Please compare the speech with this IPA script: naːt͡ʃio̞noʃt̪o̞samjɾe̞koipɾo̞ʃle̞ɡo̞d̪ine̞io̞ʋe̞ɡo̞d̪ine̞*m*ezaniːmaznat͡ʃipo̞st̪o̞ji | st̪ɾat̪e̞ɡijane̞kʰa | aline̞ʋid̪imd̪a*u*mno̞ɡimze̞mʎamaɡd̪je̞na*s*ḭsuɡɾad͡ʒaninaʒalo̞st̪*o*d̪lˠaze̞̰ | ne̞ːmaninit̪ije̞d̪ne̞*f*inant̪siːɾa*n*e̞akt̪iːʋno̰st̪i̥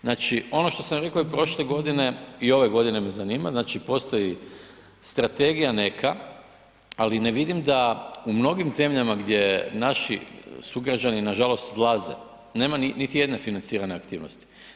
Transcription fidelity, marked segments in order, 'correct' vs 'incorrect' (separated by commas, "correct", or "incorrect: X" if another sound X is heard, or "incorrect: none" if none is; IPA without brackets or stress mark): correct, correct, incorrect: ʃ, correct, correct, correct